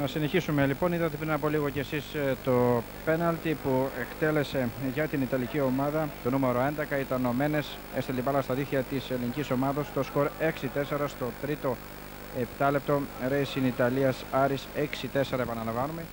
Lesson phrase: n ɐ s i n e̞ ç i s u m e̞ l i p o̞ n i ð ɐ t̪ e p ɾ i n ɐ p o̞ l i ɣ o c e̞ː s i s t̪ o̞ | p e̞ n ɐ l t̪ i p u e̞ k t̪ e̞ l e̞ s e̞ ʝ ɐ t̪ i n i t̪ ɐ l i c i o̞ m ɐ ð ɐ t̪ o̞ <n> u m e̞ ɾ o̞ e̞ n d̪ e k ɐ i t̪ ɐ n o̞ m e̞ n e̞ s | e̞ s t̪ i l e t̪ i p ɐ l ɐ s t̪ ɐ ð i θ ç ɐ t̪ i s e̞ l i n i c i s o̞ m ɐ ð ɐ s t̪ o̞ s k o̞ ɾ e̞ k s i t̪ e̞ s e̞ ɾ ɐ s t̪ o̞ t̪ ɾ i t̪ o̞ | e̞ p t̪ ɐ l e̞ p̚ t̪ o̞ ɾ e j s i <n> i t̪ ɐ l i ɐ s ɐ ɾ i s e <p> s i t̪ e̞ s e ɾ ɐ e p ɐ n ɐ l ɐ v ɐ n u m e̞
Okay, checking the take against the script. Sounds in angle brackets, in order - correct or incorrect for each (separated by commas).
correct, correct, incorrect